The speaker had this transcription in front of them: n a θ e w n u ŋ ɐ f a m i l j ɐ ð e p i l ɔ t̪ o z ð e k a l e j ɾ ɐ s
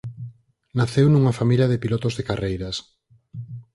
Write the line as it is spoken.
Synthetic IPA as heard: n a θ e w n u ŋ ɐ f a m i l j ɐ ð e p i l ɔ t̪ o z ð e k a r e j ɾ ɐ s